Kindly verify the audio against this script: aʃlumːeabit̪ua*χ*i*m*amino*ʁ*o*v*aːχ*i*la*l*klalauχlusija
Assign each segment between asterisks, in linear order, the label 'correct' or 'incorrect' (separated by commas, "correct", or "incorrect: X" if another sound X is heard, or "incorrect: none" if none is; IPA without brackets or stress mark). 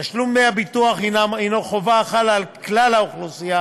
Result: correct, incorrect: n, incorrect: χ, correct, incorrect: a, correct